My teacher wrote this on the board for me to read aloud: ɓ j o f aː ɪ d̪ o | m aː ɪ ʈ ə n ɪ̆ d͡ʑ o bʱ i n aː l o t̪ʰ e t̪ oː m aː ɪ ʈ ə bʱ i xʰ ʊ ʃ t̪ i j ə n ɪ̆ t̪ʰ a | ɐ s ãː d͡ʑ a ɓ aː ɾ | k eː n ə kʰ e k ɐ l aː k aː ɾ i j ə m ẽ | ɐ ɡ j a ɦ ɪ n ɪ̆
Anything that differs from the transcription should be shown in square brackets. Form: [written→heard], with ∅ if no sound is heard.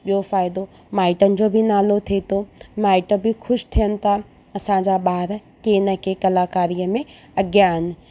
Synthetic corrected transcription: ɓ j o f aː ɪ d̪ o | m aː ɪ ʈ ə n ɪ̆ d͡ʑ o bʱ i n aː l o t̪ʰ e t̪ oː m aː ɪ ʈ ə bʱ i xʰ ʊ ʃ [t̪→t̪ʰ] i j ə n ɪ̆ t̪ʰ a | ɐ s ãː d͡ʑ a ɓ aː ɾ | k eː n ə [kʰ→k] e k ɐ l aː k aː ɾ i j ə m ẽ | ɐ ɡ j a ɦ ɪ n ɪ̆